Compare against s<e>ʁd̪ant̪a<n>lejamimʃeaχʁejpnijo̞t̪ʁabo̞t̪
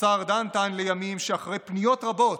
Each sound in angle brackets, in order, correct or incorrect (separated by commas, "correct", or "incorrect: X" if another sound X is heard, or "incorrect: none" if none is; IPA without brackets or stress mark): incorrect: a, correct